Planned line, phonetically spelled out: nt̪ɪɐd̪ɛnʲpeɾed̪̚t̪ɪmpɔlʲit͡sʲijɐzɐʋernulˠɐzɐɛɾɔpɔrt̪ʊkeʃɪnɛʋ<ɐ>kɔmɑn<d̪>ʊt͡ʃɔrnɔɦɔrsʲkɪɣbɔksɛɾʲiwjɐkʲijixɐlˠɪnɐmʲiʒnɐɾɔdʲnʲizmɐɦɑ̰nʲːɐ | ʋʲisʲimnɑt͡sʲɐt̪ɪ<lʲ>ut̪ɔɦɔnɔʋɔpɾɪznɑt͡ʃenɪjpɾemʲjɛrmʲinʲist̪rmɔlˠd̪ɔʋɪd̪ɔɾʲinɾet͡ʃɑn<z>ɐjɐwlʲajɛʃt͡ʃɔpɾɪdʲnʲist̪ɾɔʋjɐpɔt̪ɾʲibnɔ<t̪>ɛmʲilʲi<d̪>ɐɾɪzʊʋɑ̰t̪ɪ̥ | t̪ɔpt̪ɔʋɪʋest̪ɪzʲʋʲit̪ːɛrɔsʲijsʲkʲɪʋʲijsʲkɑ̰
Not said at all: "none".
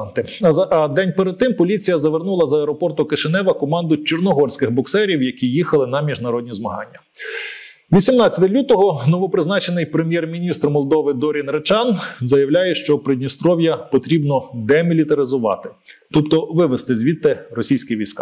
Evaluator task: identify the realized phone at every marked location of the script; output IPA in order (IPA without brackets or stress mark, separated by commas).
ɐ, d̪, lʲ, z, d̪, t̪